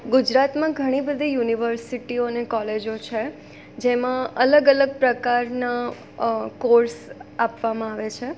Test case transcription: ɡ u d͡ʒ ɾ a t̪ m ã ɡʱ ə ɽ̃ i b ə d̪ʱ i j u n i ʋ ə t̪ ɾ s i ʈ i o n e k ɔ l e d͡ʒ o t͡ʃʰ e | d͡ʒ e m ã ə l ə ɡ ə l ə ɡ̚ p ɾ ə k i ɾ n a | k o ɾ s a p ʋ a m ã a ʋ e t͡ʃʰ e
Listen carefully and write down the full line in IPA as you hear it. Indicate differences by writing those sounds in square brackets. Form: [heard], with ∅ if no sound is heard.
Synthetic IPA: ɡ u d͡ʒ ɾ a t̪ m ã ɡʱ ə ɽ̃ i b ə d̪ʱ i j u n i ʋ ə [∅] ɾ s i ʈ i o n e k ɔ l e d͡ʒ o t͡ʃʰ e | d͡ʒ e m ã ə l ə ɡ ə l ə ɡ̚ p ɾ ə k [a] ɾ n a | k o ɾ s a p ʋ a m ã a ʋ e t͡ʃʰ e